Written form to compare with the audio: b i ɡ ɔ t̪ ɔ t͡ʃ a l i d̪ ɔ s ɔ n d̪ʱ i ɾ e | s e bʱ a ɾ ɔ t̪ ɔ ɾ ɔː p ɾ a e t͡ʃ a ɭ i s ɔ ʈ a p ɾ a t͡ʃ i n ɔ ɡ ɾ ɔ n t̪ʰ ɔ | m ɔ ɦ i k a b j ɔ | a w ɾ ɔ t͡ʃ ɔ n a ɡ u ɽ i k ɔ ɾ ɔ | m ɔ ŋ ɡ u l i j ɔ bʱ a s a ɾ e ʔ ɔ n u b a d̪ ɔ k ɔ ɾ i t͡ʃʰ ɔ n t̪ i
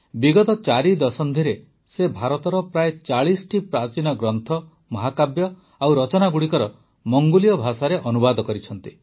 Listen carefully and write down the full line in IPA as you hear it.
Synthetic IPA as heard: b i ɡ ɔ t̪ ɔ t͡ʃ a ɾ i d̪ ɔ s ɔ n d̪ʱ i ɾ e | s e bʱ a ɾ ɔ t̪ ɔ ɾ ɔ p ɾ a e t͡ʃ a ɭ i s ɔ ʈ i p ɾ a t͡ʃ i n ɔ ɡ ɾ ɔ n t̪ʰ ɔ | m ɔ ɦ a k a b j ɔ | a w ɾ ɔ t͡ʃ ɔ n a ɡ u ɽ i k ɔ ɾ ɔ | m ɔ ŋ ɡ u l i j ɔ bʱ a s a ɾ e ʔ ɔ n u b a d̪ ɔ k ɔ ɾ i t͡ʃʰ ɔ n t̪ i

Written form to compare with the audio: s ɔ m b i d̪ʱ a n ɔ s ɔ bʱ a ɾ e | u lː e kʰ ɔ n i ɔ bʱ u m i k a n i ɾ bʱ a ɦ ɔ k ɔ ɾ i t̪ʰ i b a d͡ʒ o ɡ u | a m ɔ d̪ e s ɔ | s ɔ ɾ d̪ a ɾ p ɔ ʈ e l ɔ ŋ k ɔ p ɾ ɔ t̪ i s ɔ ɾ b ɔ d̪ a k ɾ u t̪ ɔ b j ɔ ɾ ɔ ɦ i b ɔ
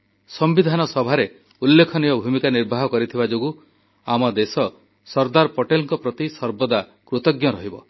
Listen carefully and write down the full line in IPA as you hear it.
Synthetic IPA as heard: s ɔ m b i d̪ʱ a n ɔ s ɔ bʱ a ɾ e | u lː e kʰ ɔ n i ɔ bʱ u m i k a n i ɾ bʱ a ɦ ɔ k ɔ ɾ i t̪ʰ i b a d͡ʒ o ɡ u | a m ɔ d̪ e s ɔ | s ɔ ɾ d̪ a ɾ p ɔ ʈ e l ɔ ŋ k ɔ p ɾ ɔ t̪ i s ɔ ɾ b ɔ d̪ a k ɾ u t̪ ɔ ɡ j ɔ ɾ ɔ ɦ i b ɔ

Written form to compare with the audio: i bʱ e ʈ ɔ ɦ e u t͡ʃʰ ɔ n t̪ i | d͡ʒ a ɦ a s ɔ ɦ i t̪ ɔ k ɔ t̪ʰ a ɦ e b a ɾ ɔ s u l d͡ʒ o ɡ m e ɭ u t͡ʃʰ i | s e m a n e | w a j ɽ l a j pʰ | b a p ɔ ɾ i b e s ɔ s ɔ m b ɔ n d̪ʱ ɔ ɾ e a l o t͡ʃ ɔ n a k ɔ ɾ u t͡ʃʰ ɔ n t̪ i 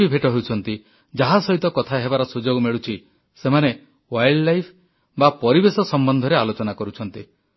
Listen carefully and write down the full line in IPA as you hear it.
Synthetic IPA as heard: i bʱ e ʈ ɔ ɦ e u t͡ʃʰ ɔ n t̪ i | d͡ʒ a ɦ a s ɔ ɦ i t̪ ɔ k ɔ t̪ʰ a ɦ e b a ɾ ɔ s u d͡ʒ o ɡ m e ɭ u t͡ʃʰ i | s e m a n e | w a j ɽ l a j pʰ | b a p ɔ ɾ i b e s ɔ s ɔ m b ɔ n d̪ʱ ɔ ɾ e a l o t͡ʃ ɔ n a k ɔ ɾ u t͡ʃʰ ɔ n t̪ i

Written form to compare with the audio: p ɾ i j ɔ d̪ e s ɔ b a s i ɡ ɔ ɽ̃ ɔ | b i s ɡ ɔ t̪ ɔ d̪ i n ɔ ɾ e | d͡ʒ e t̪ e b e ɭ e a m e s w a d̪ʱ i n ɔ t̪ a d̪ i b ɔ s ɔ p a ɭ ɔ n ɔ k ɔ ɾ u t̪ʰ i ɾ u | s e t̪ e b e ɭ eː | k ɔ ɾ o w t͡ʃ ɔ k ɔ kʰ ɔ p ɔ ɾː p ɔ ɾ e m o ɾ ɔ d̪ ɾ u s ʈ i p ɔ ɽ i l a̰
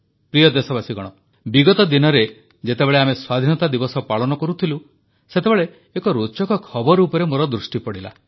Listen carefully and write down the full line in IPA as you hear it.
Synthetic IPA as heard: p ɾ i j ɔ d̪ e s ɔ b a s i ɡ ɔ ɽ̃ ɔ | b i ɡ ɔ t̪ ɔ d̪ i n ɔ ɾ e | d͡ʒ e t̪ e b e ɭ e a m e s w a d̪ʱ i n ɔ t̪ a d̪ i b ɔ s ɔ p a ɭ ɔ n ɔ k ɔ ɾ u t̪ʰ i l u | s e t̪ e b e ɭ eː | k ɔ ɾ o t͡ʃ ɔ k ɔ kʰ ɔ b ɔ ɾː p ɔ ɾ e m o ɾ ɔ d̪ ɾ u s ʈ i p ɔ ɽ i l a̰

